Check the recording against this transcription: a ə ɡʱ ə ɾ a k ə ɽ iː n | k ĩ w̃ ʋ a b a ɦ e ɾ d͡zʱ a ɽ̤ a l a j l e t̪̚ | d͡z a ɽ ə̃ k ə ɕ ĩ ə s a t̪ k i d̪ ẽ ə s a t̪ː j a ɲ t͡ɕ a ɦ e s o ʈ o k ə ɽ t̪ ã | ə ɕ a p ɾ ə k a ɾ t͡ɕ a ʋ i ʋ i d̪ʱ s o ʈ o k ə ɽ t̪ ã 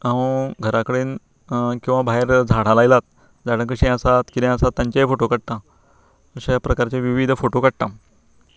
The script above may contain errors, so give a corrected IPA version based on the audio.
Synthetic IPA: a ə ɡʱ ə ɾ a k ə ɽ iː n | k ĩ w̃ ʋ a b a ɦ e ɾ d͡zʱ a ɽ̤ a l a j l a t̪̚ | d͡z a ɽ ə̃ k ə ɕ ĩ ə s a t̪ k i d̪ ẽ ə s a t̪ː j a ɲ t͡ɕ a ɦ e f o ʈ o k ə ɽ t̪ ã | ə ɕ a p ɾ ə k a ɾ t͡ɕ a ʋ i ʋ i d̪ʱ f o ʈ o k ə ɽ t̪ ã